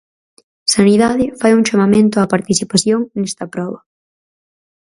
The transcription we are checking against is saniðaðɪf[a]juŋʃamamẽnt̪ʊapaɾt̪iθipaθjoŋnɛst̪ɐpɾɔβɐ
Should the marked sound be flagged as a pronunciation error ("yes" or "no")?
no